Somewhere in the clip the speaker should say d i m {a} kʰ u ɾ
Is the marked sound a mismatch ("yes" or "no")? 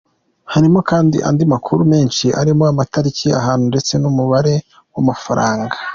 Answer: no